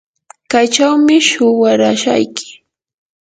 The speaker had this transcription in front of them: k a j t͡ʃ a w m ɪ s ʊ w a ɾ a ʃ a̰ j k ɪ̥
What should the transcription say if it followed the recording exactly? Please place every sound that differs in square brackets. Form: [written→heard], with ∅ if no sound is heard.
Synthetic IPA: k a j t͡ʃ a w m ɪ [s→ʃ] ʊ w a ɾ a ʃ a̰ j k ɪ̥

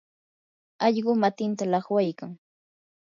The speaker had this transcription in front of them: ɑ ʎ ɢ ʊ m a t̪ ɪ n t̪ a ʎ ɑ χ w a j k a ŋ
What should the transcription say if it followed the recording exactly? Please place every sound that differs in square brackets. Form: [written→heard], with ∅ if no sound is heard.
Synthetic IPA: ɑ ʎ ɢ ʊ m a t̪ ɪ n t̪ a [ʎ→l] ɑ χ w a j k a ŋ

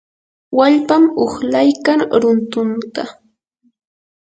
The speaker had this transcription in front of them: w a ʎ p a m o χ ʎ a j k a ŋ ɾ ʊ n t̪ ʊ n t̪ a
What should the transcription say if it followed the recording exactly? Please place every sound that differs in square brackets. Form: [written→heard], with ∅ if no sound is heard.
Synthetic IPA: w a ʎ p a m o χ [ʎ→l] a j k a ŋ ɾ ʊ n t̪ ʊ n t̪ a

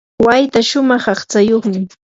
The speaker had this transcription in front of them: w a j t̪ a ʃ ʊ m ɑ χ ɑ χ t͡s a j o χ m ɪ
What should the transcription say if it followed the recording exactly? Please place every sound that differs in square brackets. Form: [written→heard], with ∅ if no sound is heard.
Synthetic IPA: w a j t̪ a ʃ ʊ m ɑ χ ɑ χ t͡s a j o χ m ɪ

